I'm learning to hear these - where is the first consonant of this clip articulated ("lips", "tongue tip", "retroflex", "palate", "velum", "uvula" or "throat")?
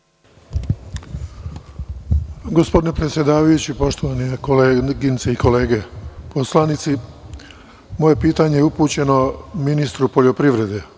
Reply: velum